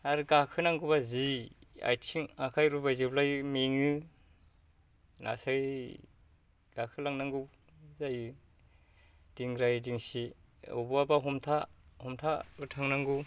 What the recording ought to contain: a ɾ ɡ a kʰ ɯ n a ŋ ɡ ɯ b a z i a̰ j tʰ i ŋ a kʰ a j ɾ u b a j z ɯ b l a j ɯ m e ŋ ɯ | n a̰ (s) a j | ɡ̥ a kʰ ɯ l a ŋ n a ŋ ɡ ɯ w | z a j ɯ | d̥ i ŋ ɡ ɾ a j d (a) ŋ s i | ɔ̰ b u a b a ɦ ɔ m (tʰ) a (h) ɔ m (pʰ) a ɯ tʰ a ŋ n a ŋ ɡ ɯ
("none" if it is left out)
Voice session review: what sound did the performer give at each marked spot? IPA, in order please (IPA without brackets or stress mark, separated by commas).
s, i, tʰ, h, tʰ